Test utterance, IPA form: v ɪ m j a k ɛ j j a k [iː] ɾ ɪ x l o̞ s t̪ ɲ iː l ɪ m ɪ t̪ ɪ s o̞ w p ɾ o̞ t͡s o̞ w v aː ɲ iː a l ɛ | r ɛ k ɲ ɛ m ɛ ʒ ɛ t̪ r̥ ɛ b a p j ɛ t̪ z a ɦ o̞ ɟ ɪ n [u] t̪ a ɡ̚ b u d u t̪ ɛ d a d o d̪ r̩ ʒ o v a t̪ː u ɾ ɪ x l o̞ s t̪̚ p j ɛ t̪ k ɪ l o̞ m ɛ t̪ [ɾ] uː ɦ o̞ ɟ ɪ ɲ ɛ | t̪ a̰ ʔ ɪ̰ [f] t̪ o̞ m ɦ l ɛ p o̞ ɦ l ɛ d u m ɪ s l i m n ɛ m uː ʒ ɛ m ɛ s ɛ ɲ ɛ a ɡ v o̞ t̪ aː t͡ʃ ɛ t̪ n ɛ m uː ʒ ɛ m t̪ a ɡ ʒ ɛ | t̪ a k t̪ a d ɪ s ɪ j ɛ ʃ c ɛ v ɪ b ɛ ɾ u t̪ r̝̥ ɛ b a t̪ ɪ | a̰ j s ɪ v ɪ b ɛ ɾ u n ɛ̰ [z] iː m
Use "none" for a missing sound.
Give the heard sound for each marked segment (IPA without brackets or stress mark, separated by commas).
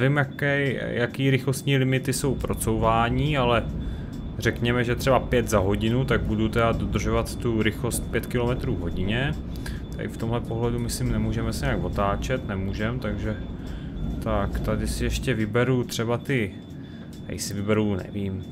iː, u, ɾ, f, v